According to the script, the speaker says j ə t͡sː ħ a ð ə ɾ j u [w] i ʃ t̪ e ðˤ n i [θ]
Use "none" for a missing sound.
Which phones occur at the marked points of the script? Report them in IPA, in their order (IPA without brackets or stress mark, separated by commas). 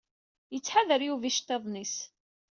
v, s